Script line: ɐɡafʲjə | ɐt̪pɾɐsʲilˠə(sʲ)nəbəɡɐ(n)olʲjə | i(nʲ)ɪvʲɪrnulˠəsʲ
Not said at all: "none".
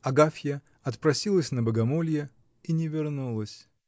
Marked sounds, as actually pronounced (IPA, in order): sʲ, m, nʲ

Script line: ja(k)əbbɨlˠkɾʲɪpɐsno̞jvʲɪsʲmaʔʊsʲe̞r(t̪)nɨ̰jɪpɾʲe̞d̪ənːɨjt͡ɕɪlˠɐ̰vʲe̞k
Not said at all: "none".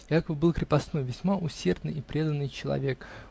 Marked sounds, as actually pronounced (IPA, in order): k, d̪

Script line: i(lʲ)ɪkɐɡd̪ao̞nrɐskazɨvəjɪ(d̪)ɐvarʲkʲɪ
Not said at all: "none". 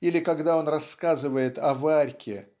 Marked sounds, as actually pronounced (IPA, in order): lʲ, t̪

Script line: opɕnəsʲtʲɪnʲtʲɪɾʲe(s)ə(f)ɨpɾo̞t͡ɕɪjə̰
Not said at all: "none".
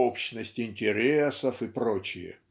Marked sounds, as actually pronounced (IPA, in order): s, f

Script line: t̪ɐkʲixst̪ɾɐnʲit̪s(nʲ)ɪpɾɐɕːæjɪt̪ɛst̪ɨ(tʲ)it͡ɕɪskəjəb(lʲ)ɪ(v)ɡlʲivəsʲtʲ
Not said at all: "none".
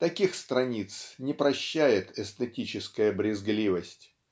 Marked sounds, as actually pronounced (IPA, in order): nʲ, tʲ, ɾʲ, z

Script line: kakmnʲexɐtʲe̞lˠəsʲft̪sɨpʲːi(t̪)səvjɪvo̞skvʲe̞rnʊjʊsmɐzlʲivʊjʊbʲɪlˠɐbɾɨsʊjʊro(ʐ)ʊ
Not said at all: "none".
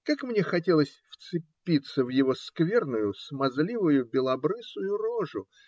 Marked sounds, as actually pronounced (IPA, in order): t̪, ʐ

